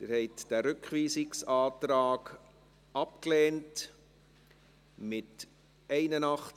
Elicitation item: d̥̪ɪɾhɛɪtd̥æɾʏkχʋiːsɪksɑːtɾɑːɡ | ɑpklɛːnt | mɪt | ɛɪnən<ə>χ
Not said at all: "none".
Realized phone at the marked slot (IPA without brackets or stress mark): ɑ